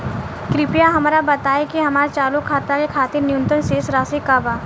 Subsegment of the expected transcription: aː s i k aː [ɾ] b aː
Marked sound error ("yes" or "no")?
yes